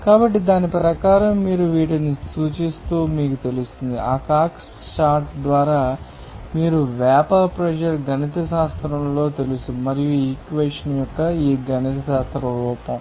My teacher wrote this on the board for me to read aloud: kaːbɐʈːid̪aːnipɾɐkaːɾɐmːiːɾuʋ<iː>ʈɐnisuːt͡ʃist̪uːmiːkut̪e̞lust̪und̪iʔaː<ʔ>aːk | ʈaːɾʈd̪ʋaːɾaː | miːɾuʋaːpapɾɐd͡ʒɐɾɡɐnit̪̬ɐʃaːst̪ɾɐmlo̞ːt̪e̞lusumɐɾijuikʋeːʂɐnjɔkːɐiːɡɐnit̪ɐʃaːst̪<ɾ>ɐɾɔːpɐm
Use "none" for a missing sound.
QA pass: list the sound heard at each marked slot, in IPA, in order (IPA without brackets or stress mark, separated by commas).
iː, k, ɾ